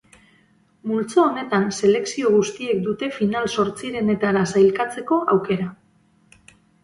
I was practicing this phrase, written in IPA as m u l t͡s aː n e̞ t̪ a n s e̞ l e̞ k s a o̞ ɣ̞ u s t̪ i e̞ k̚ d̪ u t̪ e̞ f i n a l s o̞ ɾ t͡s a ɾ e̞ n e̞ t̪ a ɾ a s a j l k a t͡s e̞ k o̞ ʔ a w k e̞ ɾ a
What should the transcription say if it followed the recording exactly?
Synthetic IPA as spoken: m u l t͡s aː n e̞ t̪ a n s e̞ l e̞ k s i o̞ ɣ̞ u s t̪ i e̞ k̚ d̪ u t̪ e̞ f i n a l s o̞ ɾ t͡s i ɾ e̞ n e̞ t̪ a ɾ a s a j l k a t͡s e̞ k o̞ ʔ a w k e̞ ɾ a